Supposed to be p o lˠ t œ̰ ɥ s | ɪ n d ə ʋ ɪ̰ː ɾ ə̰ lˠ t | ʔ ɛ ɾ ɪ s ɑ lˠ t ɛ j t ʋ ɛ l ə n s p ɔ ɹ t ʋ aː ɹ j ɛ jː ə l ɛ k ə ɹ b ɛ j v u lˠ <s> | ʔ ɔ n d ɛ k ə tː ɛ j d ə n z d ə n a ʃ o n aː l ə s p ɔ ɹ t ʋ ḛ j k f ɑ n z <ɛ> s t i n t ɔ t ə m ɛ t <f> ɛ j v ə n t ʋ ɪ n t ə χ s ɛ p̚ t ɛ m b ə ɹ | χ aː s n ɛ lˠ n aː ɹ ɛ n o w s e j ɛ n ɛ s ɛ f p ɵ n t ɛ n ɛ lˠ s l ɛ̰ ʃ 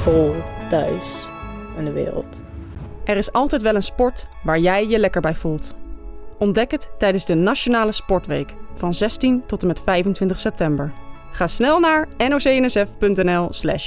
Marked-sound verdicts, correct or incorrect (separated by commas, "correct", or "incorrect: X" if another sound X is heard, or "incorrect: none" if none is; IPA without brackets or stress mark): incorrect: t, correct, correct